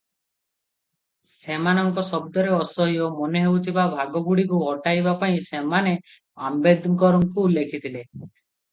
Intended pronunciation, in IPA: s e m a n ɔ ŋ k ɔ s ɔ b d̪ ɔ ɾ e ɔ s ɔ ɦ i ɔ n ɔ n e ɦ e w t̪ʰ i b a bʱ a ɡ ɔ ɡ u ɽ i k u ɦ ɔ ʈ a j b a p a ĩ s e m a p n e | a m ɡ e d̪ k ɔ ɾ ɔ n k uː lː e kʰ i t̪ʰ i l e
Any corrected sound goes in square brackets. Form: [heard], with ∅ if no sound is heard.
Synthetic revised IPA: s e m a n ɔ ŋ k ɔ s ɔ b d̪ ɔ ɾ e ɔ s ɔ ɦ i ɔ [m] ɔ n e ɦ e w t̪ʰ i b a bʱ a ɡ ɔ ɡ u ɽ i k u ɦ ɔ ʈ a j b a p a ĩ s e m a [∅] n e | a m [b] e d̪ k ɔ ɾ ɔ [ŋ] k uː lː e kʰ i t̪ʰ i l e